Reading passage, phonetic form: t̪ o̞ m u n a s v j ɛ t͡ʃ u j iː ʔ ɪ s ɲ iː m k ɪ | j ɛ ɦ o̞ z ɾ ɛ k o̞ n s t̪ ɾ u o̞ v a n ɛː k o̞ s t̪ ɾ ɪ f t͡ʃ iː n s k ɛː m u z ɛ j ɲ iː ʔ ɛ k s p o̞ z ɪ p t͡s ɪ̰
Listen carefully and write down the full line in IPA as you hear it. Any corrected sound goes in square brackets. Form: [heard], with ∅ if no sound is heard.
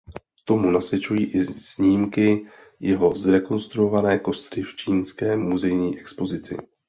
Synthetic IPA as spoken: t̪ o̞ m u n a s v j ɛ t͡ʃ u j iː ʔ ɪ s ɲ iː m k ɪ | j ɛ ɦ o̞ z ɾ ɛ k o̞ n s t̪ ɾ u o̞ v a n ɛː k o̞ s t̪ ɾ ɪ f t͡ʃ iː n s k ɛː m u z ɛ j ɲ iː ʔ ɛ k s p o̞ z ɪ [∅] t͡s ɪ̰

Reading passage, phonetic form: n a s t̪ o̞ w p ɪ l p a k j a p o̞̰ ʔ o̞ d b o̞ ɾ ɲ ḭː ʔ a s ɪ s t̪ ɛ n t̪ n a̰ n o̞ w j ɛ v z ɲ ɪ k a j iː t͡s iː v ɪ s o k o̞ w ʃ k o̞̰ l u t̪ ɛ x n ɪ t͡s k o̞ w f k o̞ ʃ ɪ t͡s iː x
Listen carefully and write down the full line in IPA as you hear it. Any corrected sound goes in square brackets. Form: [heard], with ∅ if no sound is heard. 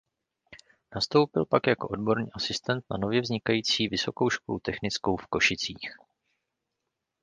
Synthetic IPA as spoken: n a s t̪ o̞ w p ɪ l p a k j a [k] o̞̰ ʔ o̞ d b o̞ ɾ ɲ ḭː ʔ a s ɪ s t̪ ɛ n t̪ n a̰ n o̞ [v] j ɛ v z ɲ ɪ k a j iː t͡s iː v ɪ s o k o̞ w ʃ k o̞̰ l u t̪ ɛ x n ɪ t͡s k o̞ w f k o̞ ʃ ɪ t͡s iː x

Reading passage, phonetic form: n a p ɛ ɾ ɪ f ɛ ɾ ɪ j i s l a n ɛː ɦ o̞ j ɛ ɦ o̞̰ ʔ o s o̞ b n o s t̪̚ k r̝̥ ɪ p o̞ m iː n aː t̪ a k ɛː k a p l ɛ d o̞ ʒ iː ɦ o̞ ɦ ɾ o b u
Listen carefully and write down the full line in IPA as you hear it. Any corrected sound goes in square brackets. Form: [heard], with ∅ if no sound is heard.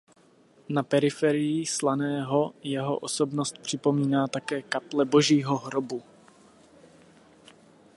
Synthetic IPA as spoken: n a p ɛ ɾ ɪ f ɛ ɾ ɪ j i s l a n ɛː ɦ o̞ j ɛ ɦ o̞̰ ʔ o s o̞ b n o s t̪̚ [p] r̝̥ ɪ p o̞ m iː n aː t̪ a k ɛː k a p l ɛ [b] o̞ ʒ iː ɦ o̞ ɦ ɾ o b u

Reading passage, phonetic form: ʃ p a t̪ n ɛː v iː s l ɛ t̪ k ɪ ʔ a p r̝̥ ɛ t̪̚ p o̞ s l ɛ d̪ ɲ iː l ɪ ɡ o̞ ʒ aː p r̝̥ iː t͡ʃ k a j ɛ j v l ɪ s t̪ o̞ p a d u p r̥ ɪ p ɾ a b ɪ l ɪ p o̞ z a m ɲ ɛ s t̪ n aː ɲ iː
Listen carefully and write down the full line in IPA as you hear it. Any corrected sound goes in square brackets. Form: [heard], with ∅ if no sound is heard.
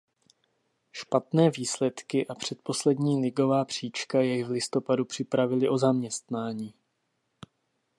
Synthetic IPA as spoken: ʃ p a t̪ n ɛː v iː s l ɛ t̪ k ɪ ʔ a p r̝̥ ɛ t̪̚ p o̞ s l ɛ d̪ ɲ iː l ɪ ɡ o̞ [v] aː p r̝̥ iː t͡ʃ k a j ɛ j v l ɪ s t̪ o̞ p a d u p r̥ ɪ p ɾ a [v] ɪ l ɪ [ʔ] o̞ z a m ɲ ɛ s t̪ n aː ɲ iː

